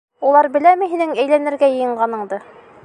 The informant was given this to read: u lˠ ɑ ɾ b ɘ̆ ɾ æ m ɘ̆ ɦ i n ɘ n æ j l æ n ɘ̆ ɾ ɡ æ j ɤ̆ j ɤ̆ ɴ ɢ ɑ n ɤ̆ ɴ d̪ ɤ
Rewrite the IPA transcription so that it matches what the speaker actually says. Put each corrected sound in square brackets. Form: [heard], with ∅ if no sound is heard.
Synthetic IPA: u lˠ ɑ ɾ b ɘ̆ [l] æ m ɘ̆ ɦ i n ɘ [ŋ] æ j l æ n ɘ̆ ɾ ɡ æ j ɤ̆ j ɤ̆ ɴ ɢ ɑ n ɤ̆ ɴ d̪ ɤ

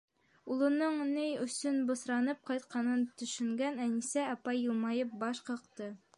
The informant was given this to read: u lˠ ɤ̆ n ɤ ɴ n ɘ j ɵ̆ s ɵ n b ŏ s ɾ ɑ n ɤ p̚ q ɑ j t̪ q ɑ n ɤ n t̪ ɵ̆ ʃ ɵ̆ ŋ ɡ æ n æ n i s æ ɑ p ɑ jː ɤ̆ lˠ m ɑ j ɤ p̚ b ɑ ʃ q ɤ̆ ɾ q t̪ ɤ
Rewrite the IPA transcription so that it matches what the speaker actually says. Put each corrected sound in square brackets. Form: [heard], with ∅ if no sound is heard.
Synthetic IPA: u lˠ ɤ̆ n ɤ ɴ n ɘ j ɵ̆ s ɵ n b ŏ s ɾ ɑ n ɤ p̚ q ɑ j t̪ q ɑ n ɤ n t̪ ɵ̆ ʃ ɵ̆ ŋ ɡ æ n æ n i s æ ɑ p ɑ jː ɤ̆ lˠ m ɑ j ɤ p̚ b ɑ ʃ q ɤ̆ [∅] q t̪ ɤ

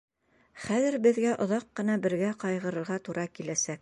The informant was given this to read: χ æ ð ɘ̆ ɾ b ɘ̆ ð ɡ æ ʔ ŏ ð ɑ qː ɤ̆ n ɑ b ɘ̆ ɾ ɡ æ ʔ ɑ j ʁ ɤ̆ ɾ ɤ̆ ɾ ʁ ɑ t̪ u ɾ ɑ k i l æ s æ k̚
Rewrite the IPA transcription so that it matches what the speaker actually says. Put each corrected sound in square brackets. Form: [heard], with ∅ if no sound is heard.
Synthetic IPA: χ æ ð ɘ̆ ɾ b ɘ̆ ð ɡ æ ʔ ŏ ð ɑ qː ɤ̆ n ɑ b ɘ̆ ɾ ɡ æ [q] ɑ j ʁ ɤ̆ ɾ ɤ̆ ɾ ʁ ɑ t̪ u ɾ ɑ k i l æ s æ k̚

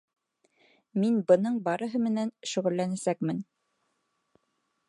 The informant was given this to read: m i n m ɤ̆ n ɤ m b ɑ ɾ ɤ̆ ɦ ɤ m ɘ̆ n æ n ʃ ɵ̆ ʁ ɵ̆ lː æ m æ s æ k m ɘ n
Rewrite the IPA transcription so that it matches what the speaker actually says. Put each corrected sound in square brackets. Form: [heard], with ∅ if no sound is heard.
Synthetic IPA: m i n [b] ɤ̆ n ɤ [ɴ] b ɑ ɾ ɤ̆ ɦ ɤ m ɘ̆ n æ n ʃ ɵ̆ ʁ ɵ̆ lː æ [n] æ s æ k m ɘ n

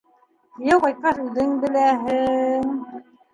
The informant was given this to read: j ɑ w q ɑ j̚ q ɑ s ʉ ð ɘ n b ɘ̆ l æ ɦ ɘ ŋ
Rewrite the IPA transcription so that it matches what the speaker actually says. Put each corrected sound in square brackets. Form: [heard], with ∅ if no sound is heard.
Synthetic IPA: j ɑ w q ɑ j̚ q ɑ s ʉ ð ɘ [ŋ] b ɘ̆ l æ ɦ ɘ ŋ

